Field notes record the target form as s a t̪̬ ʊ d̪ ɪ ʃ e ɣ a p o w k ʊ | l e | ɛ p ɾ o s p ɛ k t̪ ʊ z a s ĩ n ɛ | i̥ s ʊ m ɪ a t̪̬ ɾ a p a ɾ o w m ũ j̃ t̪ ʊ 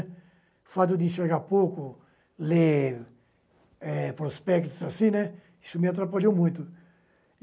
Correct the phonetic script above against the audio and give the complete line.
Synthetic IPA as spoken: f a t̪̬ ʊ d̪ ɪ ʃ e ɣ a p o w k ʊ | l e | ɛ p ɾ o s p ɛ k t̪ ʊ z a s ĩ n ɛ | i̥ s ʊ m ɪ a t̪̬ ɾ a p a ʎ o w m ũ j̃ t̪ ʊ